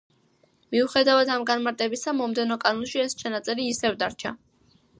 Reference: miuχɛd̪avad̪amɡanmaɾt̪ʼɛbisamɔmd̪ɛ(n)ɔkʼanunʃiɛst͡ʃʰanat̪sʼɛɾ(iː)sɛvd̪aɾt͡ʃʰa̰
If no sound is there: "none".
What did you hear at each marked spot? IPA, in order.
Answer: n, iː

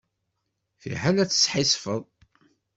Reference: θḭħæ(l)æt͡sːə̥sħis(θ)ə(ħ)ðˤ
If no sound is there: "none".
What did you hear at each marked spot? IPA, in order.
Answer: l, f, none

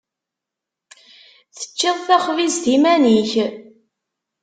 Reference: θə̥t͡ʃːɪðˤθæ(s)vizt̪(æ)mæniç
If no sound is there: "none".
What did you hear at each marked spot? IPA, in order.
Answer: χ, i

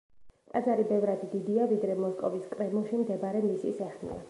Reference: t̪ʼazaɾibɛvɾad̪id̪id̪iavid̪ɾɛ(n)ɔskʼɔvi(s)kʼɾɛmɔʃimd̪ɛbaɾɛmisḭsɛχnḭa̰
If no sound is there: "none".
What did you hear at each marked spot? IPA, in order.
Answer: m, s

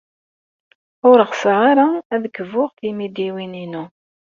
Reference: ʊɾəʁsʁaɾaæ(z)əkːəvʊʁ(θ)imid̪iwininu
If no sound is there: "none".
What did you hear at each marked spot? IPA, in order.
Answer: ð, θ

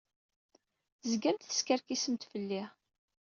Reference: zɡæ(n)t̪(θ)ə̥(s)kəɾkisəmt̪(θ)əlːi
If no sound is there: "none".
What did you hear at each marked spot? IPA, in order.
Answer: m, θ, s, f

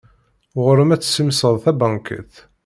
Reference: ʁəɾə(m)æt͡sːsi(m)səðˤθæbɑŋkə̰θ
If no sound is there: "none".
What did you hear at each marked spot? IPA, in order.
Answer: m, m

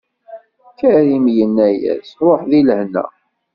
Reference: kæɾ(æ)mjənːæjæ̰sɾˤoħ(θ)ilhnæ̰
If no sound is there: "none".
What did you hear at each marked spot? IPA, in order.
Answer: i, ð

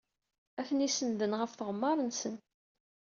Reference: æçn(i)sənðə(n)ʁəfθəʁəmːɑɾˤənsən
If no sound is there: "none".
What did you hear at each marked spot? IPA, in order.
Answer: i, n

